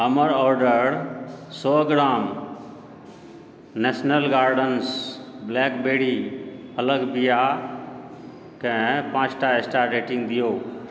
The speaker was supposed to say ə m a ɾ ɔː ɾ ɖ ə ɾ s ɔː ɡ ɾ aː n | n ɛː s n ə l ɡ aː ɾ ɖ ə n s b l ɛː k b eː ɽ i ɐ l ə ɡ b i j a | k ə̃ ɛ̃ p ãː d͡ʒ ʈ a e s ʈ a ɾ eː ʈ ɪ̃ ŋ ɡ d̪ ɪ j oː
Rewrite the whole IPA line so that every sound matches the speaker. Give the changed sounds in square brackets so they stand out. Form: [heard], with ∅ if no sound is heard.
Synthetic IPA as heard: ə m [ə] ɾ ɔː ɾ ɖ ə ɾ s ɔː ɡ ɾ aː [m] | n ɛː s n ə l ɡ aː ɾ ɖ ə n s b l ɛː k b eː ɽ i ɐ l ə ɡ b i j a | k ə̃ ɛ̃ p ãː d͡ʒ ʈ a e s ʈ a ɾ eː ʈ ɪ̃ ŋ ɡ d̪ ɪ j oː